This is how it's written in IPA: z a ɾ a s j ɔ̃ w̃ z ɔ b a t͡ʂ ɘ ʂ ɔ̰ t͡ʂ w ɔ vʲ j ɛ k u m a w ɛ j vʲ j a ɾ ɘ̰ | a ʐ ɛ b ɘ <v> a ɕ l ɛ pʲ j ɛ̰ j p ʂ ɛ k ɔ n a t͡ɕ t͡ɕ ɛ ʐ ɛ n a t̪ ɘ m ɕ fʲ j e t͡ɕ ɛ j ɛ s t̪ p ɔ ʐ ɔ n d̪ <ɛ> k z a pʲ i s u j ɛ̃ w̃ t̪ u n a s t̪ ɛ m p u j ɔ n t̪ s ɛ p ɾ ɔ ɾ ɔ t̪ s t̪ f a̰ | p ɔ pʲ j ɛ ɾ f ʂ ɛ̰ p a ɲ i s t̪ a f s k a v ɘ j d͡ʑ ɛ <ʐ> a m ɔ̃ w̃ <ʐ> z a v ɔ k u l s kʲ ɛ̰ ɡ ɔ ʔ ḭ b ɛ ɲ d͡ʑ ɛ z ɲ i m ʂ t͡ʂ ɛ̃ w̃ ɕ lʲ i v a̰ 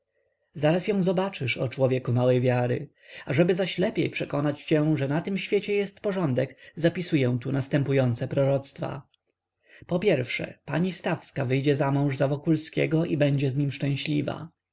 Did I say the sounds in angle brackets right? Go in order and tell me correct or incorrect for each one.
incorrect: z, correct, incorrect: z, correct

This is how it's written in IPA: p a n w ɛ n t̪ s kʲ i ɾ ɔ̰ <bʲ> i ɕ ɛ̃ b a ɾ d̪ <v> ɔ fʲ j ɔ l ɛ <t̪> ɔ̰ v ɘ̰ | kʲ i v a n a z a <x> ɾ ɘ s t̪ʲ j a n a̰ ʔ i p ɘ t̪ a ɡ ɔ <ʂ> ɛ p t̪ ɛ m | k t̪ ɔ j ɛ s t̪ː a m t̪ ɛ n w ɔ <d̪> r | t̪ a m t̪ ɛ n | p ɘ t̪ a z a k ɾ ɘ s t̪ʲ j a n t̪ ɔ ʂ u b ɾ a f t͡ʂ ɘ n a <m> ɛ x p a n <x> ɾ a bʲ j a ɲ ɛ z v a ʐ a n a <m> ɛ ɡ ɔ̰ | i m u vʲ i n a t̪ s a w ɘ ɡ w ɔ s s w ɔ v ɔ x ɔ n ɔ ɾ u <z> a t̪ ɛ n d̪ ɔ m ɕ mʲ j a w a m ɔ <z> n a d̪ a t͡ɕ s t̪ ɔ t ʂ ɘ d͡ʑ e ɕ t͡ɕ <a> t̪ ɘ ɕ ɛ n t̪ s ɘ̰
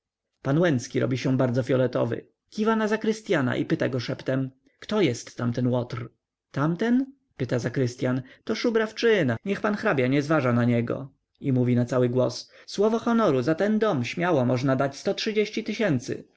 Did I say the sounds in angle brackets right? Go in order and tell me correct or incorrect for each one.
correct, incorrect: z, correct, incorrect: k, correct, incorrect: t̪, incorrect: ɲ, correct, incorrect: ɲ, correct, incorrect: ʐ, incorrect: i

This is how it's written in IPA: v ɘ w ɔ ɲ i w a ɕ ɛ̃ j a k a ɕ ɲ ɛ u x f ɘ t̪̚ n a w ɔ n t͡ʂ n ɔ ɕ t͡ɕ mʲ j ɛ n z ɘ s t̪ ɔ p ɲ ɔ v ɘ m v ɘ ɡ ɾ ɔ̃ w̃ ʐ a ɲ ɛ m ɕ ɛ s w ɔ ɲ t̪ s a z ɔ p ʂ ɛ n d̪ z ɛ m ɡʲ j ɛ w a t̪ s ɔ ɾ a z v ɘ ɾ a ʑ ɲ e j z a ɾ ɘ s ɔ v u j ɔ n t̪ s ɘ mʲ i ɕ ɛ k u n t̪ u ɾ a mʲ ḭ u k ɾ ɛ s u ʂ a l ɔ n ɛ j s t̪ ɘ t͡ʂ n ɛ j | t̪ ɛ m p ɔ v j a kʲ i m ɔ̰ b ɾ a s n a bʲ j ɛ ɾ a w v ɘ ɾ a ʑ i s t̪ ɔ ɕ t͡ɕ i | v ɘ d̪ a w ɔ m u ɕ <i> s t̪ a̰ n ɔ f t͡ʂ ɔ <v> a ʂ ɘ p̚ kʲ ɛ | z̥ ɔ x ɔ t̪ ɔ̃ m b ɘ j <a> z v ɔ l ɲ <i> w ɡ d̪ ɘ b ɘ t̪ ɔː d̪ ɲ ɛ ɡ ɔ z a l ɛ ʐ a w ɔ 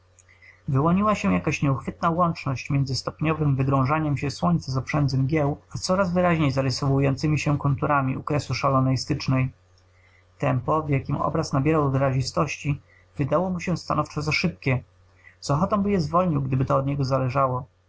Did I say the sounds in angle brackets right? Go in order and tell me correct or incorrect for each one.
incorrect: ɛ, incorrect: z, incorrect: ɛ, correct

